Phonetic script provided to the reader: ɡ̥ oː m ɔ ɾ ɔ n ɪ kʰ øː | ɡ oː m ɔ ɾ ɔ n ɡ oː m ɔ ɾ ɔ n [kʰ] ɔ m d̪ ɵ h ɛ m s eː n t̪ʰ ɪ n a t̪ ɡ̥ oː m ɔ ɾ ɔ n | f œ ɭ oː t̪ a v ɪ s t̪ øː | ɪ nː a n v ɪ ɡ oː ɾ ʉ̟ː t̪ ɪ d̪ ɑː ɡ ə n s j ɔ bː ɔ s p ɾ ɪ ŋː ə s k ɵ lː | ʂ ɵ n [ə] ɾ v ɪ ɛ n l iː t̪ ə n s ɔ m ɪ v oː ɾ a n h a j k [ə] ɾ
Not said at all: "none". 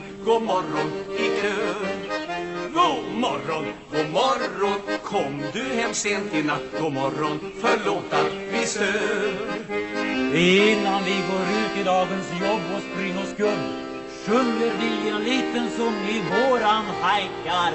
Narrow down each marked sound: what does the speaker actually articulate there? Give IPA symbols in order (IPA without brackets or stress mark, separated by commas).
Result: kʰ, ə, a